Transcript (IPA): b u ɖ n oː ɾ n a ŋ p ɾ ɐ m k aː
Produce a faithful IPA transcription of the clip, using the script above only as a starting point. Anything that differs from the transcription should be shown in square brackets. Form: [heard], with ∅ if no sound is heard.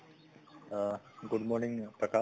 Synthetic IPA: [ɡ] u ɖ [m] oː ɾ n [i] ŋ p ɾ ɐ [∅] k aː